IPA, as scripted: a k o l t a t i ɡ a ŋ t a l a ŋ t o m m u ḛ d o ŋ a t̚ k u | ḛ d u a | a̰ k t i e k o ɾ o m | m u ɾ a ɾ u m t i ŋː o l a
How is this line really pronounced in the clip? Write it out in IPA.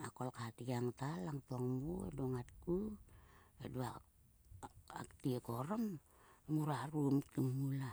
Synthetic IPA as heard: a k o l k a t i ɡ a ŋ t a l a ŋ t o ŋ m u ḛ d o ŋ a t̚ k u | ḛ d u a | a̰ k t i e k o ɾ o m | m u ɾ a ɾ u m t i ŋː u l a